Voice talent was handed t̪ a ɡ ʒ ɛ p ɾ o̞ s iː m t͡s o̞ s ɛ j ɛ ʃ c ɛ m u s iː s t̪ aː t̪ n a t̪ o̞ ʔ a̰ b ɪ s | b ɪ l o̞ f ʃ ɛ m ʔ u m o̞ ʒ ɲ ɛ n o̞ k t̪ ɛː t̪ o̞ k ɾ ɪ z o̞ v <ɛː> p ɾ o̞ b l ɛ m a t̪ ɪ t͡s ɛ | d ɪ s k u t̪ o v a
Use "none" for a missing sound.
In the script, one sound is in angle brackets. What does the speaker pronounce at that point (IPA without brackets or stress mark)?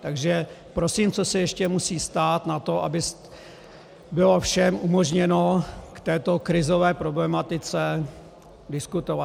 ɛː